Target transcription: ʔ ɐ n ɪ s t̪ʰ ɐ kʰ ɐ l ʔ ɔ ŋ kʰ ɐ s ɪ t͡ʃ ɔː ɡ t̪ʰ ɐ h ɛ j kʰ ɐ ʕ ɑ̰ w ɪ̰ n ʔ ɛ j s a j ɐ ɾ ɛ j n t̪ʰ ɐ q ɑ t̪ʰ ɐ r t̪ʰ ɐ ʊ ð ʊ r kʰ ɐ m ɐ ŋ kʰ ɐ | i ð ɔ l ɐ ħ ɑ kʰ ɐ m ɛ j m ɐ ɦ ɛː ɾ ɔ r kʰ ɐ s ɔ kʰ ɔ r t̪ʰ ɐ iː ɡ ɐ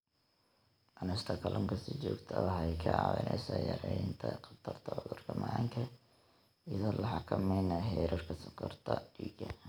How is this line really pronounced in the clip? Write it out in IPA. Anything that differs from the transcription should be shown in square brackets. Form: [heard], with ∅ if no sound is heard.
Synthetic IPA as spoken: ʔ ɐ n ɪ s t̪ʰ ɐ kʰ ɐ l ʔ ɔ ŋ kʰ ɐ s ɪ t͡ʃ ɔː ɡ t̪ʰ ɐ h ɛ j kʰ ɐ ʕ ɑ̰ w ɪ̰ n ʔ ɛ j s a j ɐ ɾ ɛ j n t̪ʰ ɐ q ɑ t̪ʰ ɐ r t̪ʰ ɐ ʊ ð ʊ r kʰ ɐ m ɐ ŋ kʰ ɐ | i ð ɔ l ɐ ħ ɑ kʰ ɐ m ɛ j [n] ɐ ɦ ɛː ɾ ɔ r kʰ ɐ s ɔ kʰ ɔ r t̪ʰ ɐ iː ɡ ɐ